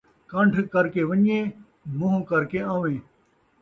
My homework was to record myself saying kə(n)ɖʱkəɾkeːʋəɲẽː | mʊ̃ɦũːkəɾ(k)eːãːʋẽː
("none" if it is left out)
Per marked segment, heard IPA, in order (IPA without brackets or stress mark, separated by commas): ɳ, k